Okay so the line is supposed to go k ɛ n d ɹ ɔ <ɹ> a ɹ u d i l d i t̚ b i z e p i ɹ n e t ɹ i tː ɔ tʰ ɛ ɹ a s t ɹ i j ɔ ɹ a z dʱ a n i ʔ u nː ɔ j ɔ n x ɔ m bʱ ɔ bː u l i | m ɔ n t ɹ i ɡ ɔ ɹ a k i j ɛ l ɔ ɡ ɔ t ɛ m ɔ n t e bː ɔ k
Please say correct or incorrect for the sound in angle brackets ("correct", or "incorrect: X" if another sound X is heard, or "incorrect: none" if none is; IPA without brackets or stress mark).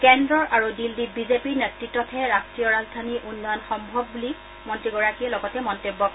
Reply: correct